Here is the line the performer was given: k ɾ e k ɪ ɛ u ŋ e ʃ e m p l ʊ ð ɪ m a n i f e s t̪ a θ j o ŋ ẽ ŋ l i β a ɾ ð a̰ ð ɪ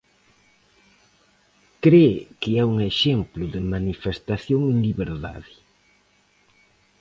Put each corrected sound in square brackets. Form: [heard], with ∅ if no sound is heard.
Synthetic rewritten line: k ɾ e k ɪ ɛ u ŋ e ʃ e m p l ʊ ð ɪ m a n i f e s t̪ a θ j o ŋ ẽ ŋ l i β [e] ɾ ð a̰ ð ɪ

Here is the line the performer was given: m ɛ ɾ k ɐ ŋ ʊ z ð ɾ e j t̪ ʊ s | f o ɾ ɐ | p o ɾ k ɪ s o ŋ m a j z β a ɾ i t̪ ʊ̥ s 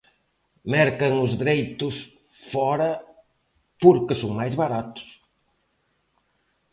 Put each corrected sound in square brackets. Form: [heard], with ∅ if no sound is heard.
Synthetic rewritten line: m ɛ ɾ k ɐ ŋ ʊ z ð ɾ e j t̪ ʊ s | f [ɔ] ɾ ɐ | p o ɾ k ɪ s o ŋ m a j z β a ɾ [a] t̪ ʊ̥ s

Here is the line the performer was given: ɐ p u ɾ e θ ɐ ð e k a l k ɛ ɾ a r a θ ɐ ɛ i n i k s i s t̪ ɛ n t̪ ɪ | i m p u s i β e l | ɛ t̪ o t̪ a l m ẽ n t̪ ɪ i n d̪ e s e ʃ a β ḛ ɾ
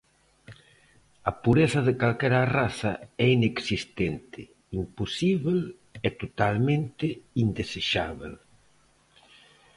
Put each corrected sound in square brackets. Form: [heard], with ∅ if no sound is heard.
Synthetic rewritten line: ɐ p u ɾ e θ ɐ ð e k a l k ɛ ɾ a r a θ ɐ ɛ i n [e] k s i s t̪ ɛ n t̪ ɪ | i m p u s i β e l | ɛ t̪ o t̪ a l m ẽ n t̪ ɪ i n d̪ e s e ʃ a β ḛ [l]

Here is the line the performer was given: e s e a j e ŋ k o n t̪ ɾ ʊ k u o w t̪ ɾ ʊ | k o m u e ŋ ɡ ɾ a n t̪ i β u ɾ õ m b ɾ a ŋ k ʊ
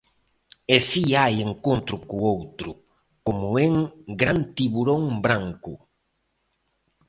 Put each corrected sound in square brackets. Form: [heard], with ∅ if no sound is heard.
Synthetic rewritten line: e s [i] a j e ŋ k o n t̪ ɾ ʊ k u o w t̪ ɾ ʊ | k o m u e ŋ ɡ ɾ a n t̪ i β u ɾ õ [ŋ] b ɾ a ŋ k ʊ

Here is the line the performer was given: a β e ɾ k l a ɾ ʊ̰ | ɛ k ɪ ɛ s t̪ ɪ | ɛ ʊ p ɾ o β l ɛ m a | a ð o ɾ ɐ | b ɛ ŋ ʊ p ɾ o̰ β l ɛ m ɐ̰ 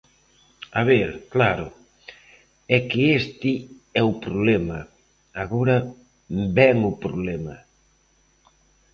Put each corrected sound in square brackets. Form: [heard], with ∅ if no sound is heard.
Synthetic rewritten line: a β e ɾ k l a ɾ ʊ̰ | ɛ k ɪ [e] s t̪ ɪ | ɛ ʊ p ɾ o β l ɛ m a | a [ɣ] o ɾ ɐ | b ɛ ŋ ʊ p ɾ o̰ β l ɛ m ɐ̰

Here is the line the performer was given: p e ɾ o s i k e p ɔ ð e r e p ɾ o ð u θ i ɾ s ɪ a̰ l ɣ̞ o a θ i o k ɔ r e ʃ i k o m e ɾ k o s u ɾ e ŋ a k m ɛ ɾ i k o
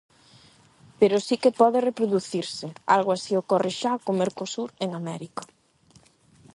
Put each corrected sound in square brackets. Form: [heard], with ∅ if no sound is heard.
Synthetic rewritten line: p e ɾ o s i k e p ɔ ð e r e p ɾ o ð u θ i ɾ s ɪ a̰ l ɣ̞ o a [s] i o k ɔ r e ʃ [a] k o m e ɾ k o s u ɾ e ŋ a [∅] m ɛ ɾ i k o

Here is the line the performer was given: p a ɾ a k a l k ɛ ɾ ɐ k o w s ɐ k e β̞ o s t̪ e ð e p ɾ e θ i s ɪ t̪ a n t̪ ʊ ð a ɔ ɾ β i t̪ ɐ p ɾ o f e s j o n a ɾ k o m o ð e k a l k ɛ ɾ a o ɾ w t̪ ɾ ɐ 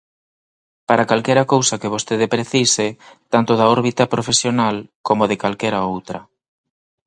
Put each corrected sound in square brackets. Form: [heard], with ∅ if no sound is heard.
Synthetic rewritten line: p a ɾ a k a l k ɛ ɾ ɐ k o w s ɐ k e β̞ o s t̪ e ð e p ɾ e θ i s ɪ t̪ a n t̪ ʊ ð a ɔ ɾ β i t̪ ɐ p ɾ o f e s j o n a [l] k o m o ð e k a l k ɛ ɾ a o [∅] w t̪ ɾ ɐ

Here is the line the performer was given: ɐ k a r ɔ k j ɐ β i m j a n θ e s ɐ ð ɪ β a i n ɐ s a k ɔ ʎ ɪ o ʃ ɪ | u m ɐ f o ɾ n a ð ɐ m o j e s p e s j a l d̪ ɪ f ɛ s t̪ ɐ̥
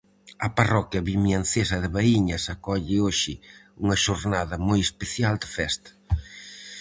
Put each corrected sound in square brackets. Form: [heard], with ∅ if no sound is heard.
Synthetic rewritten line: ɐ [p] a r ɔ k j ɐ β i m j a n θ e s ɐ ð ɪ β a i [ɲ] ɐ s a k ɔ ʎ ɪ o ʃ ɪ | u [ŋ] ɐ [ʃ] o ɾ n a ð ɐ m o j e s p e [θ] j a l d̪ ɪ f ɛ s t̪ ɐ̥

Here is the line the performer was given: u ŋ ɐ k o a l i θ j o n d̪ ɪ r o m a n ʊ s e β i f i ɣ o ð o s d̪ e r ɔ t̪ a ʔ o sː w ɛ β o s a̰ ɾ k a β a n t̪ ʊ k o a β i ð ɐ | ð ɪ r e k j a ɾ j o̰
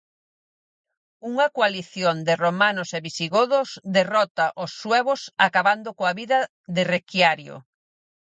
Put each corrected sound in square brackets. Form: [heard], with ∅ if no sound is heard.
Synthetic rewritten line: u ŋ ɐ k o a l i θ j o n d̪ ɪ r o m a n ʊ s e β i [s] i ɣ o ð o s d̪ e r ɔ t̪ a ʔ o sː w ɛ β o s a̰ [∅] k a β a n [d̪] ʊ k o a β i ð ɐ | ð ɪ r e k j a ɾ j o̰

